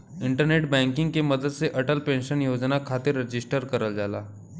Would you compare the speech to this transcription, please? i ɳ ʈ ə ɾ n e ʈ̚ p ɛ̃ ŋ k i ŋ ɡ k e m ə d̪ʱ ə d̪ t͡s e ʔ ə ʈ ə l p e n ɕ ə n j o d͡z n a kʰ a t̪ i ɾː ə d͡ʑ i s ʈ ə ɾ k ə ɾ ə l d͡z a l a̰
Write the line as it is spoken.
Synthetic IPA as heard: i ɳ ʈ ə ɾ n e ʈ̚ b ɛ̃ ŋ k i ŋ ɡ k e m ə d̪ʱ ə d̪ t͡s e ʔ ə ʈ ə l p e n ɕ ə n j o d͡z n a kʰ a t̪ i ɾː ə d͡ʑ i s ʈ ə ɾ k ə ɾ ə l d͡z a l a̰